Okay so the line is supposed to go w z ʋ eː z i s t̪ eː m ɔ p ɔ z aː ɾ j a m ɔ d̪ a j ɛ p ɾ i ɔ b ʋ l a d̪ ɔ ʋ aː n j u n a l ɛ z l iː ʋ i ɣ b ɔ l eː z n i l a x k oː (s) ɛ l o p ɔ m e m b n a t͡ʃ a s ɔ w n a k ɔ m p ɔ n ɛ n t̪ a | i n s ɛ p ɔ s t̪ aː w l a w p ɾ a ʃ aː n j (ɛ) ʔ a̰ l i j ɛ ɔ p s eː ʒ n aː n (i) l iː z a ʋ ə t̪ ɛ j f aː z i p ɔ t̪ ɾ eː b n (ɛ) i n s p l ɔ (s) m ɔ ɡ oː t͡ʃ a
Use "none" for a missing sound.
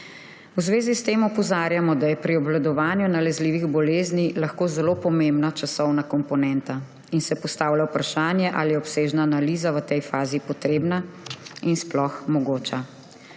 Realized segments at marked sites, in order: z, ɛ, a, a, x

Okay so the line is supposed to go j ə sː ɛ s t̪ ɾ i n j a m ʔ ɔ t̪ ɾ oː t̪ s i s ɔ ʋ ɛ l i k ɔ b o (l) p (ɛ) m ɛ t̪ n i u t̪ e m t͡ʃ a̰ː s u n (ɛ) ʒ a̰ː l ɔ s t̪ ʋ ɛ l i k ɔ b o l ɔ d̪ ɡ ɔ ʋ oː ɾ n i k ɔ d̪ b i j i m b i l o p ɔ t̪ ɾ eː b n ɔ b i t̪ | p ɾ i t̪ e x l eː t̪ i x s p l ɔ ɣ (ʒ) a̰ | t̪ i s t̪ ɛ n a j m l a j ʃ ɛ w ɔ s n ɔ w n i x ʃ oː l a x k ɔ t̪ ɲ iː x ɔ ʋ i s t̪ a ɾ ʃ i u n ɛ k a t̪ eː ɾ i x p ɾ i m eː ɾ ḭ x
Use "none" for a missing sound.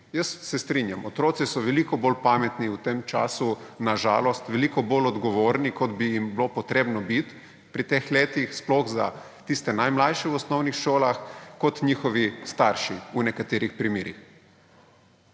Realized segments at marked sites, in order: l, a, a, z

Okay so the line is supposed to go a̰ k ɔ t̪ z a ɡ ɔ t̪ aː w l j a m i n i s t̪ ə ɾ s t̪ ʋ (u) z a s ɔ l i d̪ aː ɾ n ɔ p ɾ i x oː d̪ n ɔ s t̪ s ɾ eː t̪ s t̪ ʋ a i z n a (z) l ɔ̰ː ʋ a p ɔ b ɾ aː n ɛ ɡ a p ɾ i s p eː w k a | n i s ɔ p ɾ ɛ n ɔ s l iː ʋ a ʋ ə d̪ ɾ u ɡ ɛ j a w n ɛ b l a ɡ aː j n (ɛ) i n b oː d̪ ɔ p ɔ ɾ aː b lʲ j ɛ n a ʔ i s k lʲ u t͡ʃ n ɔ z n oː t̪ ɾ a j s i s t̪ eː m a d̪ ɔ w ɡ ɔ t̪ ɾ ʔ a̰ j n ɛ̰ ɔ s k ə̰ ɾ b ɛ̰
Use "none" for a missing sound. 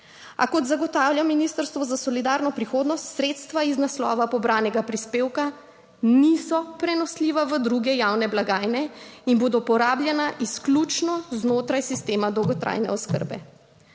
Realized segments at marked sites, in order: ɔ, s, ɛ

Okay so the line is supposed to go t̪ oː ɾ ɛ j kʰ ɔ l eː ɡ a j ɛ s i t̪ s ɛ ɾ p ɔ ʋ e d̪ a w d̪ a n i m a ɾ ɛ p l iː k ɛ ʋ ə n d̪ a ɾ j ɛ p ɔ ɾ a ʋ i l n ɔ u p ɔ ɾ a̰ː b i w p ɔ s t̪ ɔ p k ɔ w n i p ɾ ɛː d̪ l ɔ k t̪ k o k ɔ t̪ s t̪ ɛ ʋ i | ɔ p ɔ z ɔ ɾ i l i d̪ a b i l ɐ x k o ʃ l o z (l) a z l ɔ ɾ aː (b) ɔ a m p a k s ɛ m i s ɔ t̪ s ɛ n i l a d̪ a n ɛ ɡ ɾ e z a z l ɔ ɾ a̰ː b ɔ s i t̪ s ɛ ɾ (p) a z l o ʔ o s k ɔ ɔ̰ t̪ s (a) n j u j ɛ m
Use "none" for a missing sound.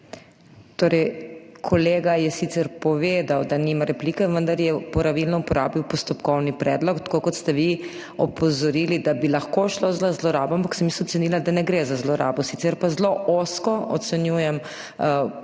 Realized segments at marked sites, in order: l, b, p, ɛ

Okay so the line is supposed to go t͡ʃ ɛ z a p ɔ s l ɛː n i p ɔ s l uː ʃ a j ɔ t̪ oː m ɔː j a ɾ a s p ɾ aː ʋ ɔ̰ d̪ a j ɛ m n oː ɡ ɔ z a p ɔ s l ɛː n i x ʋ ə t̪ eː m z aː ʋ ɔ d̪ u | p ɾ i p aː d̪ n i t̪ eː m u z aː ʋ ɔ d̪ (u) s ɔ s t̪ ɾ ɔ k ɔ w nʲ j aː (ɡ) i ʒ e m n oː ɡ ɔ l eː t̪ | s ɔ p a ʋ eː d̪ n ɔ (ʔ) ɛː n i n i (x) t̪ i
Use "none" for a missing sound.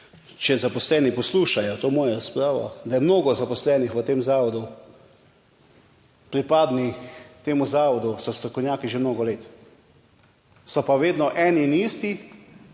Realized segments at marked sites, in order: u, k, ʔ, s

